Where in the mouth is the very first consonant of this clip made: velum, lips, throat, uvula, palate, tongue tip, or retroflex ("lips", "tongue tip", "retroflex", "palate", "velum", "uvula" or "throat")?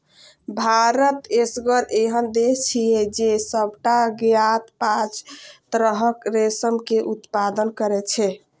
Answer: lips